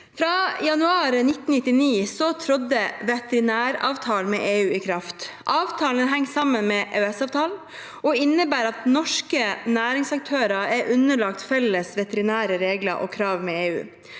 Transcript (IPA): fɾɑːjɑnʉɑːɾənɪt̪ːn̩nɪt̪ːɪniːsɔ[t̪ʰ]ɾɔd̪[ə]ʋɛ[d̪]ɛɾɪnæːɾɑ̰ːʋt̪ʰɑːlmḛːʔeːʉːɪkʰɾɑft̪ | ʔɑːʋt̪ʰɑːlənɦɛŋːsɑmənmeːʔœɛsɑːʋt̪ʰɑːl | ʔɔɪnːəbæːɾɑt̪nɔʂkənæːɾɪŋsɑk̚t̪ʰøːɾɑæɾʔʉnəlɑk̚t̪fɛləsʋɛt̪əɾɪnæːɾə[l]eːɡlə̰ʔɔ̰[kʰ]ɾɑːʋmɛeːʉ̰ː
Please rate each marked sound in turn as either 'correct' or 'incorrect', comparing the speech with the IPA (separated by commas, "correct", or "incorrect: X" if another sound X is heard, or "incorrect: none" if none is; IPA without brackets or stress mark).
correct, correct, incorrect: t̪, incorrect: ɾ, correct